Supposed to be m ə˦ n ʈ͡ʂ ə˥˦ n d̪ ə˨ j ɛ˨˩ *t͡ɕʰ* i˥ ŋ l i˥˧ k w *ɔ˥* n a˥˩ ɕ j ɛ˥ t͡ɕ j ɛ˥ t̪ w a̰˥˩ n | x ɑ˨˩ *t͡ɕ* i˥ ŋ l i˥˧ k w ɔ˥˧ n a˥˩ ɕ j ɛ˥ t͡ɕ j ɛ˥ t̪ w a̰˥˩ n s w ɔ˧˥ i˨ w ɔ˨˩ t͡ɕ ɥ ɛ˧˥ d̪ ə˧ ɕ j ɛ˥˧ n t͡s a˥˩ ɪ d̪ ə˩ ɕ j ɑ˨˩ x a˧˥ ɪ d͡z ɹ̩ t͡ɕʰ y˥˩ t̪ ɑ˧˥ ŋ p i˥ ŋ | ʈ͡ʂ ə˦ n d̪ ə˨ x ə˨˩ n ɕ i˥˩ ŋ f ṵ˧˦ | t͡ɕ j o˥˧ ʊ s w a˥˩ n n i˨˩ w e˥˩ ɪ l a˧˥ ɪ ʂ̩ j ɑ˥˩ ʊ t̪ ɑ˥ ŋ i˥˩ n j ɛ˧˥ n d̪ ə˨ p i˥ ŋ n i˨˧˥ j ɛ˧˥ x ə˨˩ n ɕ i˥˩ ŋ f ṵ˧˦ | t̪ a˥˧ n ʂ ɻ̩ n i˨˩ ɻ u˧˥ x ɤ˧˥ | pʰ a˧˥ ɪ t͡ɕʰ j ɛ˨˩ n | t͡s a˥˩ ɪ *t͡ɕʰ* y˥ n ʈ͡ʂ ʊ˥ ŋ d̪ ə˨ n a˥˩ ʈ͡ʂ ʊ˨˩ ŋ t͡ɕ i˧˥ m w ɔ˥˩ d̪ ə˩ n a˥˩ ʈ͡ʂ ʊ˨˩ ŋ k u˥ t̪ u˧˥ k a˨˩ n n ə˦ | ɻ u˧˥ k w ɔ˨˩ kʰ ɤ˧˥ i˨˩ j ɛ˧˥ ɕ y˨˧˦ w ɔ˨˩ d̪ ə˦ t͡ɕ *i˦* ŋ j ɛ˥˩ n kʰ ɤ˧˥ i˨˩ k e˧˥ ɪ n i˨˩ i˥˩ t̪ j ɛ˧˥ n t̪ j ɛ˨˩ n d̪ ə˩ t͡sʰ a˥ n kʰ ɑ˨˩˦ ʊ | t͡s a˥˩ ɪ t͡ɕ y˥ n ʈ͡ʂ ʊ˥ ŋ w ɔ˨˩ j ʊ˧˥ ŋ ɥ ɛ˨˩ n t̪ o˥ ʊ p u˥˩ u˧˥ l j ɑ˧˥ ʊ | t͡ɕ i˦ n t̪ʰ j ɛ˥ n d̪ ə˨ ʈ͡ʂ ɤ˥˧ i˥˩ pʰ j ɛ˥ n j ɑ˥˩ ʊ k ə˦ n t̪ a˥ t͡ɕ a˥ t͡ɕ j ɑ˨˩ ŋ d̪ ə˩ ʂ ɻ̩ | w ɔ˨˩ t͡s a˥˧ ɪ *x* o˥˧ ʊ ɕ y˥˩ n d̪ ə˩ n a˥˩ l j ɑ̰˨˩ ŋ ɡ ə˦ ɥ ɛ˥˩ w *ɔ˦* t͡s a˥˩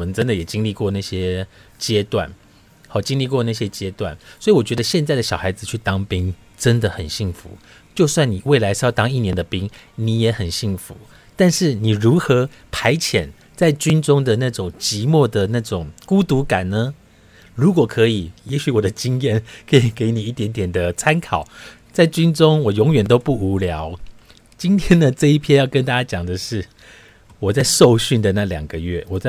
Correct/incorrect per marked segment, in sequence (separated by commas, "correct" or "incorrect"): incorrect, incorrect, correct, incorrect, correct, incorrect, incorrect